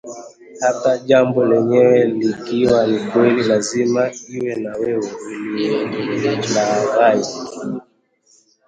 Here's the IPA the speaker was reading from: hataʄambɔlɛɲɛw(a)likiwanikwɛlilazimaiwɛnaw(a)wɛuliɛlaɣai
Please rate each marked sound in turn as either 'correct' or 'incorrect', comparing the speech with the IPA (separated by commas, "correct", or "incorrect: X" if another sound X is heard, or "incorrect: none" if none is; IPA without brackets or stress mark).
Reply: incorrect: ɛ, incorrect: ɛ